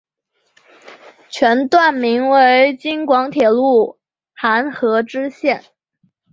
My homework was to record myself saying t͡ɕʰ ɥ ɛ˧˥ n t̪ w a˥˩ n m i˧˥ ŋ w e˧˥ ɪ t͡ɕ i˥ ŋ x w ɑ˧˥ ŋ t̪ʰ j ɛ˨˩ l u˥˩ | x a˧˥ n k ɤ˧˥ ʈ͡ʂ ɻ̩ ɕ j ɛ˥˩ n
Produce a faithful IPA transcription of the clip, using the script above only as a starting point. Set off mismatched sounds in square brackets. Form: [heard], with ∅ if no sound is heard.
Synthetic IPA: t͡ɕʰ ɥ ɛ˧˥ n t̪ w a˥˩ n m i˧˥ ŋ w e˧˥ ɪ t͡ɕ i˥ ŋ [k] w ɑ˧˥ ŋ t̪ʰ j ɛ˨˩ l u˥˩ | x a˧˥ n [x] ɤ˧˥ ʈ͡ʂ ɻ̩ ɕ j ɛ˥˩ n